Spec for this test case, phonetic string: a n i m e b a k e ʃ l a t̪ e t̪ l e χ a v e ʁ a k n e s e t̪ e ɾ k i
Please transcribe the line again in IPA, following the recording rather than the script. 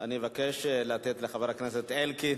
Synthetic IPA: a n i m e v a k e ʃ l a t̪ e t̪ l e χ a v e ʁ a k n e s e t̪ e l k i